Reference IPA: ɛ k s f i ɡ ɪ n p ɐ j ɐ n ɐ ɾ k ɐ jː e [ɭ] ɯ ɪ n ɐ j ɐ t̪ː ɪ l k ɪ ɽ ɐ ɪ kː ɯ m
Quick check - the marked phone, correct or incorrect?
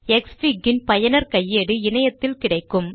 incorrect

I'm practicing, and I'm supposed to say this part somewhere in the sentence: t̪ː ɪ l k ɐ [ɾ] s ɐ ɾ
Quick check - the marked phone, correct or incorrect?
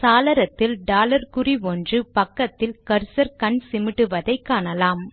correct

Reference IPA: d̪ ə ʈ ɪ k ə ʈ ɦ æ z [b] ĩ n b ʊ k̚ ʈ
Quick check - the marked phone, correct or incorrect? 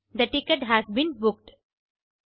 correct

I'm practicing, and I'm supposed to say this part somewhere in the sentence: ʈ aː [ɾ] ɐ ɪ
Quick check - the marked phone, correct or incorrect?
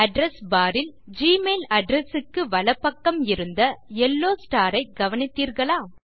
correct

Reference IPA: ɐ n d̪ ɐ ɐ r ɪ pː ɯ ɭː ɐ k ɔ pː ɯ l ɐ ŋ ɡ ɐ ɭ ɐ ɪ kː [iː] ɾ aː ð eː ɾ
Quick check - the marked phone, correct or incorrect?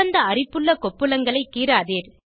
correct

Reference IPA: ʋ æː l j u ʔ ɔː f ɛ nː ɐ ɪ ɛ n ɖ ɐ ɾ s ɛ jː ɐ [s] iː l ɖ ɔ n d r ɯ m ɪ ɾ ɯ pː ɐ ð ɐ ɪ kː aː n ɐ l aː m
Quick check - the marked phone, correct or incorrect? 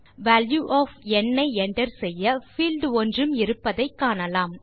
incorrect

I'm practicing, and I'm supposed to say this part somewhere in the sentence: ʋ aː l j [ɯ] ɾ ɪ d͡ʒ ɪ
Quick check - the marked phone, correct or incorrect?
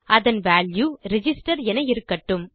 incorrect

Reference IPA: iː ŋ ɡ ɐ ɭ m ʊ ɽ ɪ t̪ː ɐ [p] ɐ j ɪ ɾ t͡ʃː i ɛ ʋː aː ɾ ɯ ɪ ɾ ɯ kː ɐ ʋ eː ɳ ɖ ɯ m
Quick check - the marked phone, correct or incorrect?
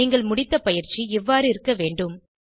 correct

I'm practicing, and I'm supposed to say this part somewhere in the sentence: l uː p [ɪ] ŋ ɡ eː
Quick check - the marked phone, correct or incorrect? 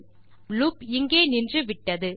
correct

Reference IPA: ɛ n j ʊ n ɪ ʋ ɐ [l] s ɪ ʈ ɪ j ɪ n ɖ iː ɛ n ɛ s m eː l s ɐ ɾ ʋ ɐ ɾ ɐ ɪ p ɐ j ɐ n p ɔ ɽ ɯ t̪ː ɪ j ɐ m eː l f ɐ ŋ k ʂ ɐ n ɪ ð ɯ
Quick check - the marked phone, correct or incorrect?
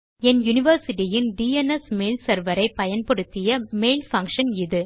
incorrect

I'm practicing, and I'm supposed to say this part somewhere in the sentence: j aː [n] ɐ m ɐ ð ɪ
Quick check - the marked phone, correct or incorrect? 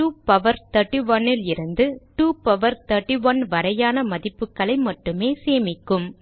correct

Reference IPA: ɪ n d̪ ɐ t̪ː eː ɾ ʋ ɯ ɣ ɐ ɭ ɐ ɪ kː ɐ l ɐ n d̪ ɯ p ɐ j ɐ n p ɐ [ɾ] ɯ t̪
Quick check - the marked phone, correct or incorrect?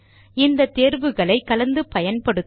incorrect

